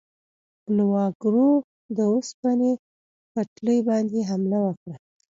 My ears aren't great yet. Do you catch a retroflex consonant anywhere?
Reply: yes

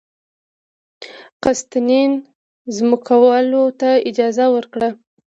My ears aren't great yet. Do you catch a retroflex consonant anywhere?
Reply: yes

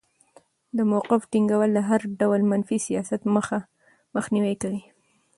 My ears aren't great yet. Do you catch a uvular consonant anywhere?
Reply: yes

